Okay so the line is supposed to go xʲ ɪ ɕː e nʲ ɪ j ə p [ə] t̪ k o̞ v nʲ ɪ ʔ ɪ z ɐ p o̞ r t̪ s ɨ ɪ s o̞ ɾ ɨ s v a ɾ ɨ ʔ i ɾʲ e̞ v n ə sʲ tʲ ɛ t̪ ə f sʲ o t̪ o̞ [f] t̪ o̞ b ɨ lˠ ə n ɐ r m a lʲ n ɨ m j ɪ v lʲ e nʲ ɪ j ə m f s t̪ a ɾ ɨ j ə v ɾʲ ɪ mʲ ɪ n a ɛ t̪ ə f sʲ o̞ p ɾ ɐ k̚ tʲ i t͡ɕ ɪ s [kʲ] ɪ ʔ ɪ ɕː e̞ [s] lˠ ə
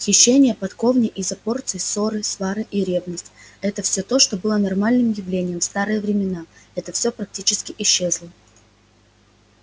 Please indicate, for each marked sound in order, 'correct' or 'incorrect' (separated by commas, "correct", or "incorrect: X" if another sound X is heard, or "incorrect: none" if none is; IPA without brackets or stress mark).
incorrect: ɐ, incorrect: ʂ, correct, incorrect: z